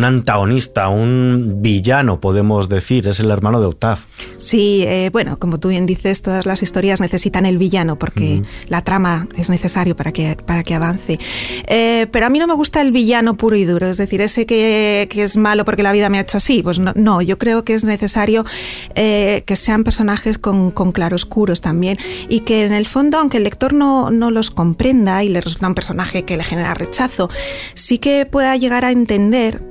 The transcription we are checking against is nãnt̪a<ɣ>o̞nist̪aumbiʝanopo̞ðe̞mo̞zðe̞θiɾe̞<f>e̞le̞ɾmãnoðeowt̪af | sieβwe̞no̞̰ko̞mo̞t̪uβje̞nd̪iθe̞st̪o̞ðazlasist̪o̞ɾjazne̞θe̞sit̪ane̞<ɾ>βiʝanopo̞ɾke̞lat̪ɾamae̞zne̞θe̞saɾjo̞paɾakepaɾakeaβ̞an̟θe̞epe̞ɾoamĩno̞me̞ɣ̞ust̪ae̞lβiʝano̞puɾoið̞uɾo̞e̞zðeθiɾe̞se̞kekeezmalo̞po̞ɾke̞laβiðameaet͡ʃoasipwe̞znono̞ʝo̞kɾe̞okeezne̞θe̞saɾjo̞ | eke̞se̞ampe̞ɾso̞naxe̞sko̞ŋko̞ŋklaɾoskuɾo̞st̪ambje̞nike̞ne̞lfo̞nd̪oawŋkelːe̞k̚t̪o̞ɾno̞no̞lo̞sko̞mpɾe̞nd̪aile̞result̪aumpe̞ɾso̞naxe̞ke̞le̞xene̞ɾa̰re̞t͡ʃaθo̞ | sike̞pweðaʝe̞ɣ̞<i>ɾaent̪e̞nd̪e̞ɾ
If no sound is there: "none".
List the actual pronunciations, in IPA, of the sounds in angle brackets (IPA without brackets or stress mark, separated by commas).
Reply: ɣ, s, l, a